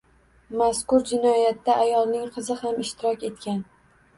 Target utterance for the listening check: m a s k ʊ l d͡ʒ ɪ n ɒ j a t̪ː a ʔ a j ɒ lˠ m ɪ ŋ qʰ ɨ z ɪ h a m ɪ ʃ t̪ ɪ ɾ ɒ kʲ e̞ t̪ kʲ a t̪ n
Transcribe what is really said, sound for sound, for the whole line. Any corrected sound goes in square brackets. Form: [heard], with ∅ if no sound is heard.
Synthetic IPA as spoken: m a s k ʊ [ɾ] d͡ʒ ɪ n ɒ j a t̪ː a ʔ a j ɒ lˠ [n] ɪ ŋ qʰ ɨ z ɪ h a m ɪ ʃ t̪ ɪ ɾ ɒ kʲ e̞ t̪ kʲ a [∅] n